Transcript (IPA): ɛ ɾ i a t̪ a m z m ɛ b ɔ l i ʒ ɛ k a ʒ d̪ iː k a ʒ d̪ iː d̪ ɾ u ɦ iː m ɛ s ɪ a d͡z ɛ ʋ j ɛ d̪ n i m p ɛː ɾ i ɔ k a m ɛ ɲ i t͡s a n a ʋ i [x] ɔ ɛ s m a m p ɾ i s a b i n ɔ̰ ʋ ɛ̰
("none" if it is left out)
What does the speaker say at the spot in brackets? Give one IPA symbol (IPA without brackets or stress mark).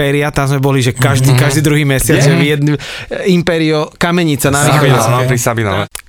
x